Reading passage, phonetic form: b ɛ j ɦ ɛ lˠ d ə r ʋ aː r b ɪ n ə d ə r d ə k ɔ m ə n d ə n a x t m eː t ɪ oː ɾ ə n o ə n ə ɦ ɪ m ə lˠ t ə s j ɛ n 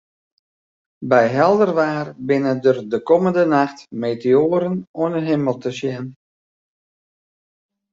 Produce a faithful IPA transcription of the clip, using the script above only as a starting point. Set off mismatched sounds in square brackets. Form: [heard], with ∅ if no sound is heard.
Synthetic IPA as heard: b ɛ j ɦ ɛ lˠ d ə r ʋ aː r b ɪ n ə d ə r d ə k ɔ m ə n d ə n a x t m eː t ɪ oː ɾ ə n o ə n ə ɦ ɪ m ə lˠ t ə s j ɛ n

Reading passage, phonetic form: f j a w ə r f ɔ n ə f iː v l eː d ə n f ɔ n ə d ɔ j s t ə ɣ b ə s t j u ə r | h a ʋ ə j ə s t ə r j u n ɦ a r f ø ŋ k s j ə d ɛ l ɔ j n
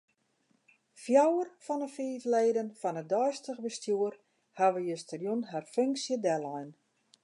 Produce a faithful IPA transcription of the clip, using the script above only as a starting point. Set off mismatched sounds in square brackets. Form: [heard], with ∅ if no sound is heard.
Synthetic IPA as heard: f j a w ə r f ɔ n ə f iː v l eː d ə n f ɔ n ə d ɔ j s t ə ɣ b ə s t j u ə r | h a ʋ ə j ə s t ə r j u n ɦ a r f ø ŋ k s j ə d ɛ l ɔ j n

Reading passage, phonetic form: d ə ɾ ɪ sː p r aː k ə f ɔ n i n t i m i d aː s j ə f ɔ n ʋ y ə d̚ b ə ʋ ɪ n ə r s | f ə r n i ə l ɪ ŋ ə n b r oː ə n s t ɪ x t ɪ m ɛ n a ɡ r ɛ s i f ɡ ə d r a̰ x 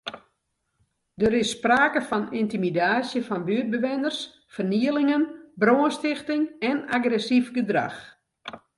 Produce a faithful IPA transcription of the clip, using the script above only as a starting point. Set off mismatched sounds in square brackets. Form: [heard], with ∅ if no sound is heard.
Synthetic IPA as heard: d ə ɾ ɪ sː p r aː k ə f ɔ n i n t i m i d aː s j ə f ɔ n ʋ y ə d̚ b ə ʋ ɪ n ə r s | f ə r n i ə l ɪ ŋ ə n b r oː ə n s t ɪ x t ɪ [ŋ] ɛ n a ɡ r ɛ s i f ɡ ə d r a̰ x

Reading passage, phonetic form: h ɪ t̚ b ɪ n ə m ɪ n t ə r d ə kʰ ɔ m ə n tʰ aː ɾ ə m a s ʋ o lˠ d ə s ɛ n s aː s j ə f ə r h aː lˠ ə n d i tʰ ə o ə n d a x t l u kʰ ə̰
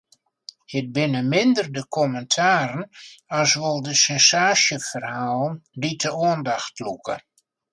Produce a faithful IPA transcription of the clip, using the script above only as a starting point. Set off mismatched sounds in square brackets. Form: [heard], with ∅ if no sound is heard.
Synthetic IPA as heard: h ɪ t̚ b ɪ n ə m ɪ n [d] ə r d ə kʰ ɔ m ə n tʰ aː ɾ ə [n] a s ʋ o lˠ d ə s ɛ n s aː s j ə f ə r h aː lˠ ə n d i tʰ ə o ə n d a x t l u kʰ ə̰

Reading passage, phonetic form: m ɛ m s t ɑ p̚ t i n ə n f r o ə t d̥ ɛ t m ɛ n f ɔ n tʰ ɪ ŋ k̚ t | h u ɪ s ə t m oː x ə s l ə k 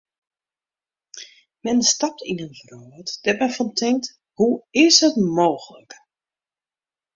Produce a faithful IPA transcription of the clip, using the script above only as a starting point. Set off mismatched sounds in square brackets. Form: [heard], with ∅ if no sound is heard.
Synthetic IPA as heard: m ɛ [n] s t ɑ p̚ t i n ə n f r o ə t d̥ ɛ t m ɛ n f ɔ n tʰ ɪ ŋ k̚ t | h u ɪ s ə t m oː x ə [∅] l ə k

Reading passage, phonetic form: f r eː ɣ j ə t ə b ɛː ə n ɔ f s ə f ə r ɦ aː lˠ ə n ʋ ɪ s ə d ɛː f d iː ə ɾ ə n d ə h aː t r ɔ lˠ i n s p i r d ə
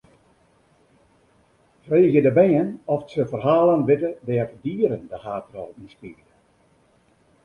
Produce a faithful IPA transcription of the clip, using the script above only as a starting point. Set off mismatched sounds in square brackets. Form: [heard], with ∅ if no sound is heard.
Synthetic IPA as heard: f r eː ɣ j ə [d] ə b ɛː ə n ɔ f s ə f ə r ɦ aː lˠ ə n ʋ ɪ [t] ə d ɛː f d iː ə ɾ ə n d ə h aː t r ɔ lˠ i n s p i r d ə

